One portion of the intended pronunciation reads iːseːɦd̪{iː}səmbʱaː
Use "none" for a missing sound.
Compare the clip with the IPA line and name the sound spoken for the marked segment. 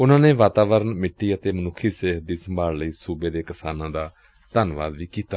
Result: iː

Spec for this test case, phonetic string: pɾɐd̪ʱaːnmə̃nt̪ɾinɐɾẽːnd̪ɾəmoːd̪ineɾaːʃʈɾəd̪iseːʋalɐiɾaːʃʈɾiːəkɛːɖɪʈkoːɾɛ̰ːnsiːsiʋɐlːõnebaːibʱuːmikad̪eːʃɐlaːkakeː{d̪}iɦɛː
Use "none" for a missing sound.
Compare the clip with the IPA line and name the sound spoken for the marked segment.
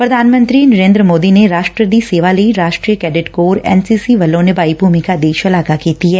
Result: t̪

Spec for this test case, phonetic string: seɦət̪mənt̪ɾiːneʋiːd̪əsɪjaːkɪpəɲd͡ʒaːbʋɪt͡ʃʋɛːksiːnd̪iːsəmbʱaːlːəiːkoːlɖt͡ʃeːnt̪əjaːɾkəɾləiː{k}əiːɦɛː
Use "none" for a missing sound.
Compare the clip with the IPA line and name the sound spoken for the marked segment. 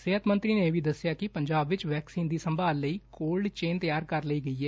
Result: ɡ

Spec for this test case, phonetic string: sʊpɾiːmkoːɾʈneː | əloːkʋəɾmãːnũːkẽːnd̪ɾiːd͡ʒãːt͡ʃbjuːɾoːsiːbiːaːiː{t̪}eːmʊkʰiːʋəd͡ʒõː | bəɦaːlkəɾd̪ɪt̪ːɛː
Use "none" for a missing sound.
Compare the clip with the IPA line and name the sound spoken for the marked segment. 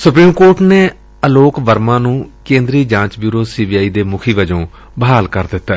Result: d̪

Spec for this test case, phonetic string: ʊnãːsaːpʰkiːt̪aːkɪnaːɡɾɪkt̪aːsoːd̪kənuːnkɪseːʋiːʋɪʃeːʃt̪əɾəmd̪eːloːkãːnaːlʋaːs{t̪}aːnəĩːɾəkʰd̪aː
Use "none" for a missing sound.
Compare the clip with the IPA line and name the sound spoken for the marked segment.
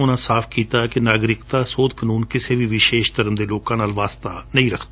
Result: t̪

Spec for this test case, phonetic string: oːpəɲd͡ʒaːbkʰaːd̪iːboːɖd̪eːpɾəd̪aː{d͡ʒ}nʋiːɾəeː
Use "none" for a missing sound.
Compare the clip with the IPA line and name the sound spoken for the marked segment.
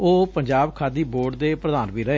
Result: none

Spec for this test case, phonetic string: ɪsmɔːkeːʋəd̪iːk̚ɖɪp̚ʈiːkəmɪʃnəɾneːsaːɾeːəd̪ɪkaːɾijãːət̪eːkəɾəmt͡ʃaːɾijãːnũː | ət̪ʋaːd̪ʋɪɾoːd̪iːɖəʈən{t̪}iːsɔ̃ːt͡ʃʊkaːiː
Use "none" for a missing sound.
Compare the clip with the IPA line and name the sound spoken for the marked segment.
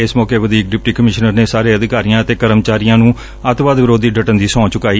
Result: d̪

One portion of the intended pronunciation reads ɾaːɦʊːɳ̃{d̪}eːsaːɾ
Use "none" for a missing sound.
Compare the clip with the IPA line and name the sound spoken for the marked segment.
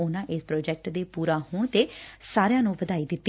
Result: t̪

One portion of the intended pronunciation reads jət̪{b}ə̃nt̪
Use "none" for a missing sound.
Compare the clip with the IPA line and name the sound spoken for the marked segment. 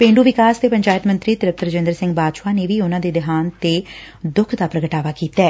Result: m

